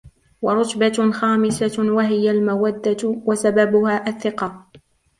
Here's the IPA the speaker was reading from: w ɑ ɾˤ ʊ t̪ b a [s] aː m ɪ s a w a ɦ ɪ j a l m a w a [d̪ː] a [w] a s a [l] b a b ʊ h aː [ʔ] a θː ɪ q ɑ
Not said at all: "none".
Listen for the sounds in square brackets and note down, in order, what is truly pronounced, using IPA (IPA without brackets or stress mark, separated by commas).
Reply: x, d̪ː, w, none, ʔ